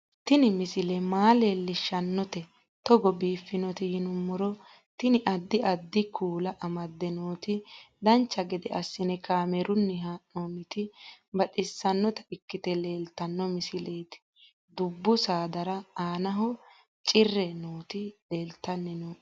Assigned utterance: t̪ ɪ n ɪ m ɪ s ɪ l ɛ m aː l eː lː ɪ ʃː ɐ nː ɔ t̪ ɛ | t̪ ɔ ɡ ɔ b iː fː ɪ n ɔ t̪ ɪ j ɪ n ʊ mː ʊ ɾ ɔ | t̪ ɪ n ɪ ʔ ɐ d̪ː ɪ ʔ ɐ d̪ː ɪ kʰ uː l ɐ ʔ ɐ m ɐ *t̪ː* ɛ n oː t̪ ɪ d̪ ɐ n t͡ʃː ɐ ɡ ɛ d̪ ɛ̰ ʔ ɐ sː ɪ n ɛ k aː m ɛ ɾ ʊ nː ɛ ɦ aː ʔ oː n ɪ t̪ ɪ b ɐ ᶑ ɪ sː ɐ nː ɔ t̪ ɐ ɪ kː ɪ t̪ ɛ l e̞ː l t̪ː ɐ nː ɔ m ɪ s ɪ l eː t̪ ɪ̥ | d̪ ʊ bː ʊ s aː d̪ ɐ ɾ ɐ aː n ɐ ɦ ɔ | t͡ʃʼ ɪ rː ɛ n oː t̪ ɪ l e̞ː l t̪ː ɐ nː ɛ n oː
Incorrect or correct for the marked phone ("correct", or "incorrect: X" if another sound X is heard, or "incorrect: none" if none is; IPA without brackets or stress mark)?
incorrect: d̪ː